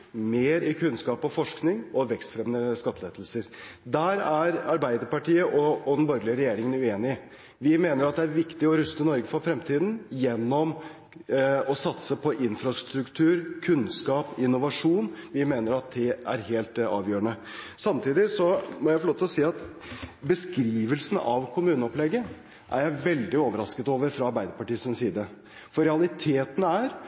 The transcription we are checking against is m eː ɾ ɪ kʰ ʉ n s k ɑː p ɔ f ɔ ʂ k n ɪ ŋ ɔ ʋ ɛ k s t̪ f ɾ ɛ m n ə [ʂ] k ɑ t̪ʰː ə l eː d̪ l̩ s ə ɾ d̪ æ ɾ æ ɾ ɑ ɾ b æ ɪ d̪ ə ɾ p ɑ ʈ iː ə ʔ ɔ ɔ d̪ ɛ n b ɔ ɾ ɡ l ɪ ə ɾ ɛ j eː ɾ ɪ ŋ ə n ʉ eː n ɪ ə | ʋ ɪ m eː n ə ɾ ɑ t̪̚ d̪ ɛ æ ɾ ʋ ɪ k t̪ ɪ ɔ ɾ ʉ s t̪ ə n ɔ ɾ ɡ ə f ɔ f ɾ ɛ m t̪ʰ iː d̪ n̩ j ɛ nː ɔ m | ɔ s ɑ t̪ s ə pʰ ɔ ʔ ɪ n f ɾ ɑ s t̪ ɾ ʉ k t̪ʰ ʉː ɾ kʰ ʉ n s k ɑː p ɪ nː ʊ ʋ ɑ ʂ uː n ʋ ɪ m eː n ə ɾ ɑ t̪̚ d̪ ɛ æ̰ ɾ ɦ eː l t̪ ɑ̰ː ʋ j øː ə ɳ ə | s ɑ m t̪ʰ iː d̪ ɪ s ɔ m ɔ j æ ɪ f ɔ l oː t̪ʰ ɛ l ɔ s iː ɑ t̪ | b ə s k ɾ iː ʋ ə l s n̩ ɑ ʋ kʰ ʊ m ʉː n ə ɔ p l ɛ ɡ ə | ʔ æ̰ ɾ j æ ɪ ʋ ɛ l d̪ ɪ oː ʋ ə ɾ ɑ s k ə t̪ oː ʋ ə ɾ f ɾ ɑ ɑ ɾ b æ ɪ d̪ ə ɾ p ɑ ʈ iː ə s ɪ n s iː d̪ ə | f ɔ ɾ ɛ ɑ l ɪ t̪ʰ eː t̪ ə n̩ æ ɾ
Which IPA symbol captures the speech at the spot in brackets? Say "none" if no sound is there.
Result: s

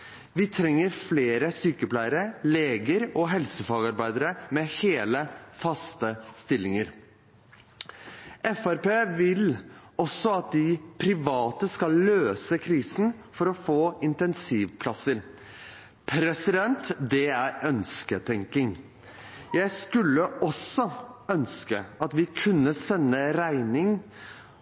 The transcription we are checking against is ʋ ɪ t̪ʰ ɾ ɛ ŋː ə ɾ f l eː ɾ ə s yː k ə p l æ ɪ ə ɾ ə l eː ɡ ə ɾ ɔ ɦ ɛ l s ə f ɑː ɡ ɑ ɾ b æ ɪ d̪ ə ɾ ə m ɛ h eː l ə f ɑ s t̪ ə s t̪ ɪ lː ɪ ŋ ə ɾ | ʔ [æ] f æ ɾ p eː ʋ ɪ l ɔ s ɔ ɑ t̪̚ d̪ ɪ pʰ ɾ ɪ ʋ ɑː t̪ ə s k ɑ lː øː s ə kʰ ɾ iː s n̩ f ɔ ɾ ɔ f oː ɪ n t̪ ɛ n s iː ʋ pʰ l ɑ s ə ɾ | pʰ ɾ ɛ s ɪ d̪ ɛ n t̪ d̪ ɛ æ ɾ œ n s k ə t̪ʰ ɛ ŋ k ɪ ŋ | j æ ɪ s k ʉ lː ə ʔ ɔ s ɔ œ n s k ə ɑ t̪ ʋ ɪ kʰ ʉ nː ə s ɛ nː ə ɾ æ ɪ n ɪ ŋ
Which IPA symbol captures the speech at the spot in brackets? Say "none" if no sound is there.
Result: ɛ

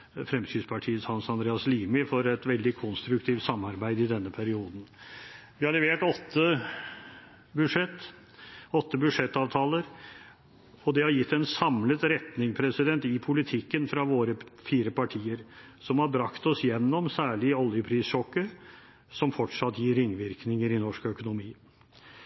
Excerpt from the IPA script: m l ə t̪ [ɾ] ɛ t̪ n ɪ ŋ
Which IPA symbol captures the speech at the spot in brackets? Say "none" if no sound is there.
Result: ɾ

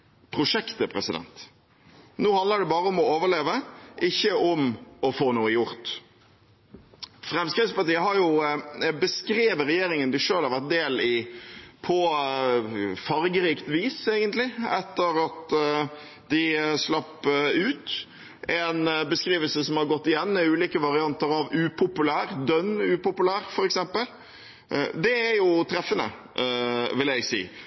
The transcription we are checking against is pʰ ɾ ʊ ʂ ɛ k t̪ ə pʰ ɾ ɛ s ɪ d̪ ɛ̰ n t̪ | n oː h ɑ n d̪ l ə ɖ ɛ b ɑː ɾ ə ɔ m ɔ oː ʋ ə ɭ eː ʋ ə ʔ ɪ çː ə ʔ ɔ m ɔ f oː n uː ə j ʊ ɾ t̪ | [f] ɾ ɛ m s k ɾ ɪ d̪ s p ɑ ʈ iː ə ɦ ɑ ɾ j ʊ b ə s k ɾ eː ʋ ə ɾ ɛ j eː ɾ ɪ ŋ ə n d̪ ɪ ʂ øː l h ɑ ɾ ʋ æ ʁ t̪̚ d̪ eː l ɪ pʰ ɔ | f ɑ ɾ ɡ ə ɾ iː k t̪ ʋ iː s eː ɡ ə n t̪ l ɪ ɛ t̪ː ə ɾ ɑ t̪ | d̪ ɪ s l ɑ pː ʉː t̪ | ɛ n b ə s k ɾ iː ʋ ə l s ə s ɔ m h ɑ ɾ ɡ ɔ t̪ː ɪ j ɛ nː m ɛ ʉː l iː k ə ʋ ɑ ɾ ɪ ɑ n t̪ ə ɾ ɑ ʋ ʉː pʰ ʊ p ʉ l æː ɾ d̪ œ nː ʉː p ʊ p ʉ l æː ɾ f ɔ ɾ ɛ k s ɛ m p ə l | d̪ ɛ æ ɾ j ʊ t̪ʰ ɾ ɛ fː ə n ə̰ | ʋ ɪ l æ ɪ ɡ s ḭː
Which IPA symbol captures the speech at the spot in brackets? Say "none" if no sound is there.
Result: f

